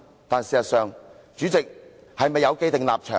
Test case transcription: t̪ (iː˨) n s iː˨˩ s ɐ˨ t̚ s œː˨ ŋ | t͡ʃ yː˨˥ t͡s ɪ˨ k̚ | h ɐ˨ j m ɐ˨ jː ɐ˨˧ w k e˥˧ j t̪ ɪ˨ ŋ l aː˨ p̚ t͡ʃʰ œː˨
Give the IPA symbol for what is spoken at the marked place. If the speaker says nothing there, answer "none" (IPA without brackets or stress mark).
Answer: aː˨